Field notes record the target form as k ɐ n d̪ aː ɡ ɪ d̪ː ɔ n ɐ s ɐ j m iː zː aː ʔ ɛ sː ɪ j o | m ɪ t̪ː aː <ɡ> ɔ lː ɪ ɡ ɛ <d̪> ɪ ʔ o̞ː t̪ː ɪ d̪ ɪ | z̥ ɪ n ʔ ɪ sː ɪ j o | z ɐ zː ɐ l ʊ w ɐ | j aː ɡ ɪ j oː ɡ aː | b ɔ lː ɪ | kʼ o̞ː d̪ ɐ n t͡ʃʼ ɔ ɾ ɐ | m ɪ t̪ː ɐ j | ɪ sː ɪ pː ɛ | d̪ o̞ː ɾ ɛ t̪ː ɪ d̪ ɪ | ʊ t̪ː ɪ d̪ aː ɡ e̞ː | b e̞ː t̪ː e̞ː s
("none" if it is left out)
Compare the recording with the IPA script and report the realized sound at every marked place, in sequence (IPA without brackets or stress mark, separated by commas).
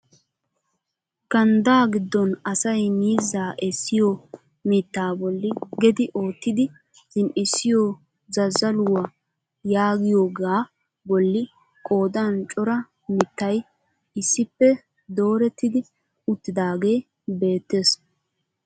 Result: b, d̪